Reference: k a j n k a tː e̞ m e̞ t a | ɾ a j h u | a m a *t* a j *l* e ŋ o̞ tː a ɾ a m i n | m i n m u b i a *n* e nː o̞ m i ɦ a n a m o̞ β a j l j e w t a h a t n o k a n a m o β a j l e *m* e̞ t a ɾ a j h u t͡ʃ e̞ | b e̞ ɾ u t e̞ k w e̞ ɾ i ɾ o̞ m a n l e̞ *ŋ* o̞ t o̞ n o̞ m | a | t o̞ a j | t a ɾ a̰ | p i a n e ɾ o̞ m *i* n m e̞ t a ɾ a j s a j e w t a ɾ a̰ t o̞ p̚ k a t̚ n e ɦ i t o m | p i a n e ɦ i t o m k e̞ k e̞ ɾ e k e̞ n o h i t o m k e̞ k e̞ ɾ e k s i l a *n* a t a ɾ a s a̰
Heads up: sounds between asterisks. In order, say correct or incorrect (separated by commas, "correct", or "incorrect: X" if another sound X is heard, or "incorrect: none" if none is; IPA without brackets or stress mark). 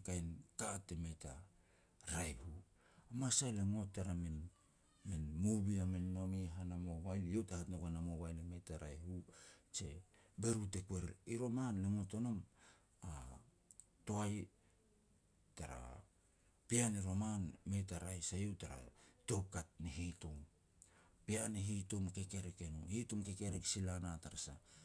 incorrect: s, correct, incorrect: m, correct, correct, incorrect: a, correct